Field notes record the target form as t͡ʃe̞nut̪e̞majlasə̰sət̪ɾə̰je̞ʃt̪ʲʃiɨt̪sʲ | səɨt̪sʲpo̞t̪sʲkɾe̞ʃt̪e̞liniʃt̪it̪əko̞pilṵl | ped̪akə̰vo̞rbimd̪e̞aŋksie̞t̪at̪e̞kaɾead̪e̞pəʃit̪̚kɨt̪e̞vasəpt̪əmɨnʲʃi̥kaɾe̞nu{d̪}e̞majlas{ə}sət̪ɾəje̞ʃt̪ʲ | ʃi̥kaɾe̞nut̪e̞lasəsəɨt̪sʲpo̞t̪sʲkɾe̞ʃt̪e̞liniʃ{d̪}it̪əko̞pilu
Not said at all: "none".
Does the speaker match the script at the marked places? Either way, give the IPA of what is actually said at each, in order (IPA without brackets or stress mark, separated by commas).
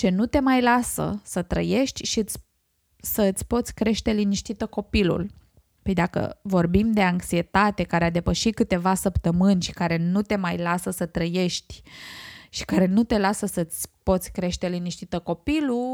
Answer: t̪, ə, t̪